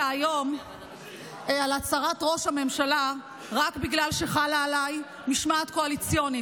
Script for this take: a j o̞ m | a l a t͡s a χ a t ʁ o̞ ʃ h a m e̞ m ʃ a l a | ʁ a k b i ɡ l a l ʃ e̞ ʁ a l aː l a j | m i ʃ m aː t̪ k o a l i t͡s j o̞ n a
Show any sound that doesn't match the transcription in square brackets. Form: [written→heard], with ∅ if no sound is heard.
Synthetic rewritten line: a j o̞ m | a l a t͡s a [χ→ʁ] a t ʁ o̞ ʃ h a m e̞ m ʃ a l a | ʁ a k b i ɡ l a l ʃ e̞ [ʁ→χ] a l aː l a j | m i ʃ m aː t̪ k o a l i t͡s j o̞ n [a→i]